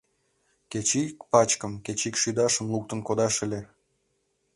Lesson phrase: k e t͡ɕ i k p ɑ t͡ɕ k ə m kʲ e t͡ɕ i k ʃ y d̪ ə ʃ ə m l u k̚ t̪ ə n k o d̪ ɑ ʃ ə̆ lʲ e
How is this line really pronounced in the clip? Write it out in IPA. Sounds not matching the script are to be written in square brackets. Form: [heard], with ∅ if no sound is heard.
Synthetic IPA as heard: k e t͡ɕ i k p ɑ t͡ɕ k ə m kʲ e t͡ɕ i k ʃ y d̪ [ɑ] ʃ ə m l u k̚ t̪ ə n k o d̪ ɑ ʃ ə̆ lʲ e